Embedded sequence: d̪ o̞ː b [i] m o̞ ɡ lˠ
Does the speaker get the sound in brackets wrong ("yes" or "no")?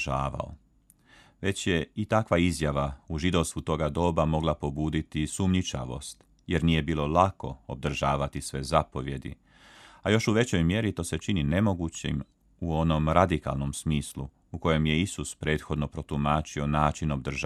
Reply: yes